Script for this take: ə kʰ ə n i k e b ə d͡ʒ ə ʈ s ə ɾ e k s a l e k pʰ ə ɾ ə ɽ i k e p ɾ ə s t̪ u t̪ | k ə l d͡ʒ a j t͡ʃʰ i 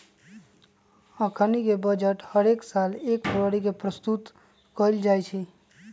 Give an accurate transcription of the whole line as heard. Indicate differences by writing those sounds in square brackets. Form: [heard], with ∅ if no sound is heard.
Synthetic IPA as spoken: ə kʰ ə n i k e b ə d͡ʒ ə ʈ [h] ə ɾ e k s a l e k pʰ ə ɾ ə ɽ i k e p ɾ ə s t̪ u t̪ | k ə l d͡ʒ a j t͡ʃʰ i